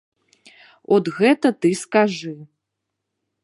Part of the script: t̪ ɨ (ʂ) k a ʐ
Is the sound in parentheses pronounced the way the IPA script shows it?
no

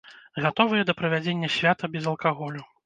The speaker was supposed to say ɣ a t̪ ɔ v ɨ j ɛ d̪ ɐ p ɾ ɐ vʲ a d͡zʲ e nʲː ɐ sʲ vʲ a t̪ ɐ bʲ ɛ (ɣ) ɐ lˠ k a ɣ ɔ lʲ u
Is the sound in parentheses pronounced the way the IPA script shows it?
no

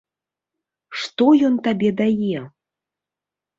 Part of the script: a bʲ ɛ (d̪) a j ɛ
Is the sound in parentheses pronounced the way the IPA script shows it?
yes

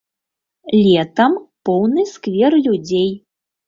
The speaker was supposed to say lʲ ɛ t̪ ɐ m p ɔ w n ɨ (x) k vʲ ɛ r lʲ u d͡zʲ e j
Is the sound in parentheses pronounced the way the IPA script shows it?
no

